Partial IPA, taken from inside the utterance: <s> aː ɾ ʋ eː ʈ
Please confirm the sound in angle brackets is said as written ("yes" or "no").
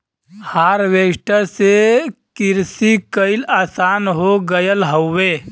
no